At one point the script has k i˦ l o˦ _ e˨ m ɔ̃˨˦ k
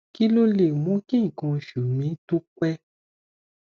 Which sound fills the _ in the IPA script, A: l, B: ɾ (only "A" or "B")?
A